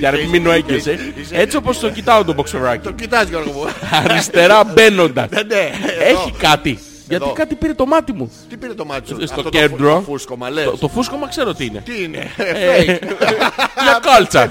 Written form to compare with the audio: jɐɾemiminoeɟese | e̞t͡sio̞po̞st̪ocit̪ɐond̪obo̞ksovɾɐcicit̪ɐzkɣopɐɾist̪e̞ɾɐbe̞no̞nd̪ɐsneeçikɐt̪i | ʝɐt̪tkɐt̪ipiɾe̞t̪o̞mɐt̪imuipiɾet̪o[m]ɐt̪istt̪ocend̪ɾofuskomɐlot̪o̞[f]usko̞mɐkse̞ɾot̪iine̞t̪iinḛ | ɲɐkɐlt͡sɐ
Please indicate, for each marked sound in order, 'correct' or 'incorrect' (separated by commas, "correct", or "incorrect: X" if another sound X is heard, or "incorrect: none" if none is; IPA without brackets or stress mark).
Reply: correct, correct